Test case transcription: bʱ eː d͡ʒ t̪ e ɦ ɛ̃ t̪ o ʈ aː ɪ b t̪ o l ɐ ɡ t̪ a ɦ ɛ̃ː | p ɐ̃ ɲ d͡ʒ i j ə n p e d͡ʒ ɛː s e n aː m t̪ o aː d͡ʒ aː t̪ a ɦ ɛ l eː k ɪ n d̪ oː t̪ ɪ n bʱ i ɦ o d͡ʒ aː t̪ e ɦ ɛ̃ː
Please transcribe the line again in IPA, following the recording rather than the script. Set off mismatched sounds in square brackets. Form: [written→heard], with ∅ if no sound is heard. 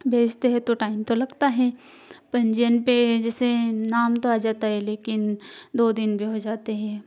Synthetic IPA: bʱ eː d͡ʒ t̪ e ɦ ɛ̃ t̪ o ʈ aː ɪ [b→m] t̪ o l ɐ ɡ t̪ a ɦ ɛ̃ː | p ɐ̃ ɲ d͡ʒ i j ə n p e d͡ʒ ɛː s e n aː m t̪ o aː d͡ʒ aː t̪ a ɦ ɛ l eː k ɪ n d̪ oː [t̪→d̪] ɪ n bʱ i ɦ o d͡ʒ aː t̪ e ɦ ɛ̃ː